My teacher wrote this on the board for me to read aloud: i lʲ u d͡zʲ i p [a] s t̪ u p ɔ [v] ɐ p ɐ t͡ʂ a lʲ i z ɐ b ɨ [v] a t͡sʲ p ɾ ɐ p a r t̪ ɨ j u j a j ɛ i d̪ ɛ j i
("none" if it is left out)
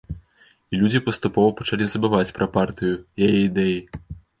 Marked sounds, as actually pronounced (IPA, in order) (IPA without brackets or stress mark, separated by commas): ɐ, v, v